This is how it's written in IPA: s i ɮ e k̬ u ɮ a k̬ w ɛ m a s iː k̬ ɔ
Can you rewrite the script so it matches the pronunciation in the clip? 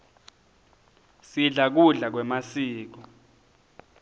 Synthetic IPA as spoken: s i ɮ a k̬ u ɮ a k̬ w ɛ m a s iː k̬ ɔ

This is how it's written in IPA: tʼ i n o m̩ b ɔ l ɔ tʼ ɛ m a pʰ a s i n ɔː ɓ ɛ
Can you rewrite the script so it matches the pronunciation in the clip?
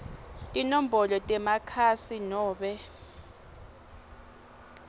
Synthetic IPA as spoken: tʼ i n o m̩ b ɔ l ɔ tʼ ɛ m a kʰ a s i n ɔː ɓ ɛ

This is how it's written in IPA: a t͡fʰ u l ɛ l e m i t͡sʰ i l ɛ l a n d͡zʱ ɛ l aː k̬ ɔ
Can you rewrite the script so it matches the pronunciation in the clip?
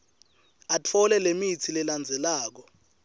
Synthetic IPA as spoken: a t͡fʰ ɔ l ɛ l e m i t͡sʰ i l ɛ l a n d͡zʱ ɛ l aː k̬ ɔ

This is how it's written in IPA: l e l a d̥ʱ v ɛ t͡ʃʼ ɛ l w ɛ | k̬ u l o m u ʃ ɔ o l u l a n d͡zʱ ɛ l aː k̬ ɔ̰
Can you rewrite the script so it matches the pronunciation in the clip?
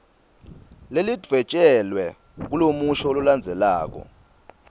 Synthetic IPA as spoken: l e l i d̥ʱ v ɛ t͡ʃʼ ɛ l w ɛ | k̬ u l o m u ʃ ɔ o l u l a n d͡zʱ ɛ l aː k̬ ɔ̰

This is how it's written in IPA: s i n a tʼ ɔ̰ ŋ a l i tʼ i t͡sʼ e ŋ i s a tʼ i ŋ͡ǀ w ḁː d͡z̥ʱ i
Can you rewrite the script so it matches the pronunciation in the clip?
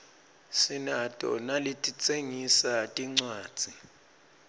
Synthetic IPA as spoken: s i n a tʼ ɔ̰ n a l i tʼ i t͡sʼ e ŋ i s a tʼ i ŋ͡ǀ w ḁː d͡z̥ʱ i

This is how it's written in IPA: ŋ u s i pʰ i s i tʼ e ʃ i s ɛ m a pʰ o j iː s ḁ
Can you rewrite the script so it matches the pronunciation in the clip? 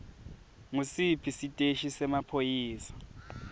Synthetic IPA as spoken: ŋ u s i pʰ i s i tʼ e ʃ i s ɛ m a pʰ o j iː s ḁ

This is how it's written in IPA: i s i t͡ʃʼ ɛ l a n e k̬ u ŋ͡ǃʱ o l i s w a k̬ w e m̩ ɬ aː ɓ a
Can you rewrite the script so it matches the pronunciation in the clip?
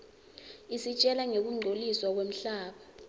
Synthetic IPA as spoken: i s i t͡ʃʼ ɛ l a ŋ e k̬ u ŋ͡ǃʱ o l i s w a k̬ w e m̩ ɬ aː ɓ a

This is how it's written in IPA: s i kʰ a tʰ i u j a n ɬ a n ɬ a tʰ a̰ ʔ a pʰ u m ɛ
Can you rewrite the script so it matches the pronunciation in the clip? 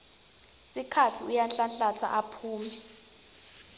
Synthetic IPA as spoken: s i kʰ a tʰ i u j a n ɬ a n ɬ a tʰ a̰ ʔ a pʰ uː m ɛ

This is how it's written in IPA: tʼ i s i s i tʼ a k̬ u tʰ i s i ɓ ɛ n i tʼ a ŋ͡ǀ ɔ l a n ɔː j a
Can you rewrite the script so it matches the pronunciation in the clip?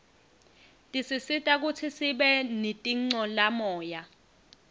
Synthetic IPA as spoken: tʼ i s i s i tʼ a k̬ u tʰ i s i ɓ ɛ n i tʼ i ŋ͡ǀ ɔ l a m ɔː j a

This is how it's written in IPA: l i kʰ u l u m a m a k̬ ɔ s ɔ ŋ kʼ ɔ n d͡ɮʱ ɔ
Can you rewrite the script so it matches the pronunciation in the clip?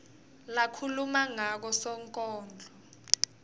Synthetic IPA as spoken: l a kʰ u l u m a ŋ a k̬ ɔ s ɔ ŋ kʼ ɔː n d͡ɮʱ ɔ

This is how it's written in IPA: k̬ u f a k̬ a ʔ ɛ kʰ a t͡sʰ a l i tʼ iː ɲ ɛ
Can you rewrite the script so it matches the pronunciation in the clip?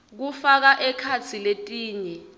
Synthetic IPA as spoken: k̬ u f a k̬ a ʔ ɛ kʰ a t͡sʰ i l e tʼ iː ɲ ɛ

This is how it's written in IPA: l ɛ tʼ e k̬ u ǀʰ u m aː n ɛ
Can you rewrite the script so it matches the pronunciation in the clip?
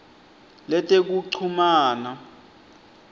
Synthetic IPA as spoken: l ɛ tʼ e k̬ u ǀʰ u m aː n a

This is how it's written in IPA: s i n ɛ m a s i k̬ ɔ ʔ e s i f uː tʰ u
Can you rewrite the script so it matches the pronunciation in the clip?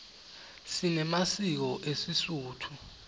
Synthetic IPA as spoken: s i n ɛ m a s i k̬ ɔ ʔ e s i s uː tʰ u

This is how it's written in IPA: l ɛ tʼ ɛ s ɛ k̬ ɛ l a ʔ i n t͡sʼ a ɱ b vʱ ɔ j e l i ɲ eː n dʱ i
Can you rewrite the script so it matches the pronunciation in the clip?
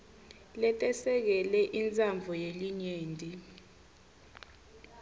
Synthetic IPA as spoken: l ɛ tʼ ɛ s ɛ k̬ ɛ l ɛ ʔ i n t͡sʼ a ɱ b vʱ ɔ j e l i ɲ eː n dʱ i

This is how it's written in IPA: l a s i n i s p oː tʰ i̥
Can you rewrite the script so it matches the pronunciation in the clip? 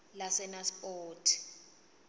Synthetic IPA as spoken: l a s ɛ n a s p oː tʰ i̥

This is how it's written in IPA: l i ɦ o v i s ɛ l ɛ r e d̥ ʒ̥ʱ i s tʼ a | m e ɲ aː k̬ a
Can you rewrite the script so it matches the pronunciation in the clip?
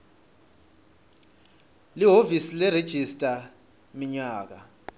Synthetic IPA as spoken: l i ɦ o v i s i l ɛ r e d̥ ʒ̥ʱ i s tʼ a | m i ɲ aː k̬ a

